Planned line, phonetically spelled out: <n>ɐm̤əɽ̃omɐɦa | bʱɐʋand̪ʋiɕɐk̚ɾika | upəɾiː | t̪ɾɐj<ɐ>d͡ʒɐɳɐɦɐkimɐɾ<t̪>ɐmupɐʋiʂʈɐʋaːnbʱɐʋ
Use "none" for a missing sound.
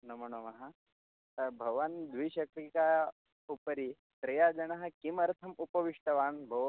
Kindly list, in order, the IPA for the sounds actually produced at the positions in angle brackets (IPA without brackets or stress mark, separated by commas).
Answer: n, a, t̪ʰ